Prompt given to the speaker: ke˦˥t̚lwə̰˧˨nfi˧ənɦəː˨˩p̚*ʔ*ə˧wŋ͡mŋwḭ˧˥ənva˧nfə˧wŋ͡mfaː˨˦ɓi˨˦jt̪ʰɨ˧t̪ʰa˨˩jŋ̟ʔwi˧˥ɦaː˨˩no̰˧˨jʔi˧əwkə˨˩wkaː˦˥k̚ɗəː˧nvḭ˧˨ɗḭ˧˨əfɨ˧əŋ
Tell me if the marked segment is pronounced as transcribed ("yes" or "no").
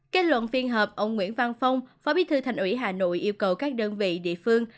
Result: yes